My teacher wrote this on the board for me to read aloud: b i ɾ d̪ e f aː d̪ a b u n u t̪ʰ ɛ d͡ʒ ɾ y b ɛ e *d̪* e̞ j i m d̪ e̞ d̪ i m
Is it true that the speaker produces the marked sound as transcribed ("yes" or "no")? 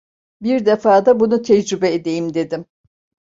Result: yes